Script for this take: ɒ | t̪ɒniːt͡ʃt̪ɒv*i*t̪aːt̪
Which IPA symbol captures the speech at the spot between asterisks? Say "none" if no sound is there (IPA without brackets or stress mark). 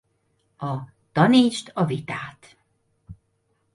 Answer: i